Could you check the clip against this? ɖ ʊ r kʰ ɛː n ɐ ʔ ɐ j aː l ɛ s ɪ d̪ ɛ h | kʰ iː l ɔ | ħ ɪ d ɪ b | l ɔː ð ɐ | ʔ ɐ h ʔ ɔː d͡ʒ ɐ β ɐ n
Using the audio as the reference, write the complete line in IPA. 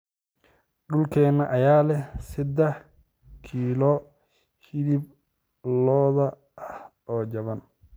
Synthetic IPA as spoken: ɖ ʊ l kʰ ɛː n ɐ ʔ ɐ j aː l ɛ s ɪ d̪ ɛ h | kʰ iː l ɔ | h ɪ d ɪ b | l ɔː ð ɐ | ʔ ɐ h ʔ ɔː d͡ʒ ɐ β ɐ n